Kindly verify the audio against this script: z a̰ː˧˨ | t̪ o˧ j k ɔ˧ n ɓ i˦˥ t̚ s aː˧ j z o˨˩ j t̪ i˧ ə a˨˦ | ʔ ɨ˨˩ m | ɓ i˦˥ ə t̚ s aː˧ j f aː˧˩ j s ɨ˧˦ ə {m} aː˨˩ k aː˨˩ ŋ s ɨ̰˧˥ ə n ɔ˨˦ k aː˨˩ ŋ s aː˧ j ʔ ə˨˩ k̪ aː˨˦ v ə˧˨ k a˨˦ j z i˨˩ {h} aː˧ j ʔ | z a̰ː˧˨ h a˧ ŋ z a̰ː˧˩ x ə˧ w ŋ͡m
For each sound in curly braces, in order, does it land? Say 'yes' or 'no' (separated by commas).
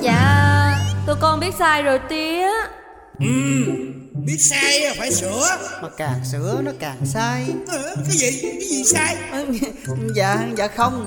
yes, no